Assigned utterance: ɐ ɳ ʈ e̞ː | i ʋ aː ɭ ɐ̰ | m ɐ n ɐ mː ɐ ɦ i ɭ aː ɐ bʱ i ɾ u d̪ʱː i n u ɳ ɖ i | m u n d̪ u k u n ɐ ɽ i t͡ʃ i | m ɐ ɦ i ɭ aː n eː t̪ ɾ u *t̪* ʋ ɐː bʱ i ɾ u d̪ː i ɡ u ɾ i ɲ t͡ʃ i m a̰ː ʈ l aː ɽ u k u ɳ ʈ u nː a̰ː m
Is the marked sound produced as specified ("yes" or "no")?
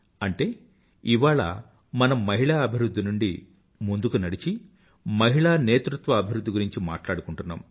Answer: yes